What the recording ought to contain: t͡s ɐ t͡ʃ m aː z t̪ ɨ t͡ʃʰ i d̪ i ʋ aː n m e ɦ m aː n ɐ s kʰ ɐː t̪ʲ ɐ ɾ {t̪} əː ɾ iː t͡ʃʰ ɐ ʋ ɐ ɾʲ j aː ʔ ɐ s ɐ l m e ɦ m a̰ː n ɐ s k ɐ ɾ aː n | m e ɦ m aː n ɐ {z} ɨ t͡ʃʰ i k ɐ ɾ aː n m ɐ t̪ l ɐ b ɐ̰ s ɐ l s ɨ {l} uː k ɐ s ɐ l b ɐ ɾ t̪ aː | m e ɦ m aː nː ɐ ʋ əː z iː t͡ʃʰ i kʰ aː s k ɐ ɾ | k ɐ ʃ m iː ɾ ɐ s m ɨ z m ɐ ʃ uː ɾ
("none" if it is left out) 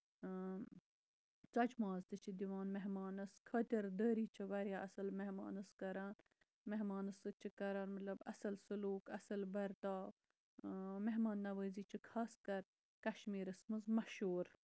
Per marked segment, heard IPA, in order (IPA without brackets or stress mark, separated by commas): d̪, s, l